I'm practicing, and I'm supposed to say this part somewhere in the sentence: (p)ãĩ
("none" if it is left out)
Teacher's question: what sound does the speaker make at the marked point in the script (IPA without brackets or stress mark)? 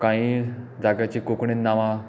k